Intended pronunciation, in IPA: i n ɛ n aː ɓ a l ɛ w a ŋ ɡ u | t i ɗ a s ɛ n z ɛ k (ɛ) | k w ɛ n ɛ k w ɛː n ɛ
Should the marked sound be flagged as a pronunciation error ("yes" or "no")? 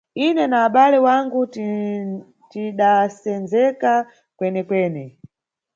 yes